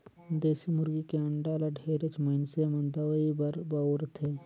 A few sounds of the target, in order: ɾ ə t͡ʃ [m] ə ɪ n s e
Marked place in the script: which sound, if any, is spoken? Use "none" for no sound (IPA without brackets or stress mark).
m